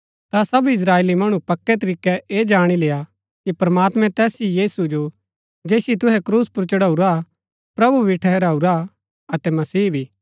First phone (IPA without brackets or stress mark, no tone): t̪